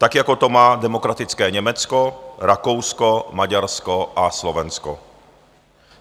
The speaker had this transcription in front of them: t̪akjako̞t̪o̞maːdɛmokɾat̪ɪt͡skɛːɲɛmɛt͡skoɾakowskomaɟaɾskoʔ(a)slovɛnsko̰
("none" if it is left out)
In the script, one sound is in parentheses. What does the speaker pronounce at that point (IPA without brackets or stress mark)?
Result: a